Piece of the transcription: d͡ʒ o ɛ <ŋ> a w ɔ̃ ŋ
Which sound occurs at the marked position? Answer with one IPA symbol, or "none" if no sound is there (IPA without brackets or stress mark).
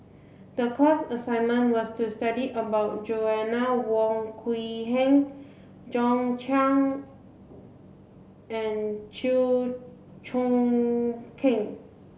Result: n